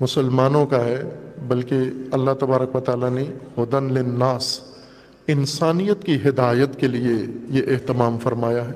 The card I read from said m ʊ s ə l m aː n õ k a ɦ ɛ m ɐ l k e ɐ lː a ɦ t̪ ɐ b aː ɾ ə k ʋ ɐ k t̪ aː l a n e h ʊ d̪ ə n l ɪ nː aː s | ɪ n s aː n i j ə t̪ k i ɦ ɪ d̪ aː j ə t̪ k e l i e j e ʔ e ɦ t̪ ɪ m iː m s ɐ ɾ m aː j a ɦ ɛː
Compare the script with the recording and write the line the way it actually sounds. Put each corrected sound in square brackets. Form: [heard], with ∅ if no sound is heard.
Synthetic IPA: m ʊ s ə l m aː n õ k a ɦ ɛ [b] ɐ l k e ɐ lː a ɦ t̪ ɐ b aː ɾ ə k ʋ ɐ [∅] t̪ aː l a n e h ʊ d̪ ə n l ɪ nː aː s | ɪ n s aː n i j ə t̪ k i ɦ ɪ d̪ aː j ə t̪ k e l i e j e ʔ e ɦ t̪ ɪ m [aː] m [f] ɐ ɾ m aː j a ɦ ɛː